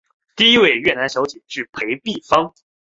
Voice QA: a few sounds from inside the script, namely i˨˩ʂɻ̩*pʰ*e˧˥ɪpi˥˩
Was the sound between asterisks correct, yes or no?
yes